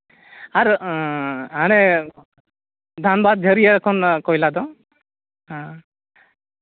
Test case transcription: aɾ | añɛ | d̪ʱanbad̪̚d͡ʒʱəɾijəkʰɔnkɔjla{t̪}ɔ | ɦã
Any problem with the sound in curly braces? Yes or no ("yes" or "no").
yes